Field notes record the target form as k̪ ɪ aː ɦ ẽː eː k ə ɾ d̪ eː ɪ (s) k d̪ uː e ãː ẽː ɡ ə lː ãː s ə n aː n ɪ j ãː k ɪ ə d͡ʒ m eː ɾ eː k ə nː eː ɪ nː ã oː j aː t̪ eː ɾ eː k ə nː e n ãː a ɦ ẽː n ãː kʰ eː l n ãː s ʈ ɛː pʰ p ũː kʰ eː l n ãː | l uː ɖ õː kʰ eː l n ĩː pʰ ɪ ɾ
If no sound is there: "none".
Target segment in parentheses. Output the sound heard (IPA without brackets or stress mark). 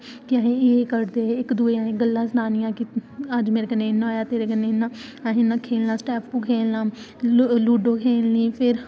none